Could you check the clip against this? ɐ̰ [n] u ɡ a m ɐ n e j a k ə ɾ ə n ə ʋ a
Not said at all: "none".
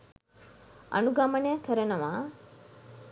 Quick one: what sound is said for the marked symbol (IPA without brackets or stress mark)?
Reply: n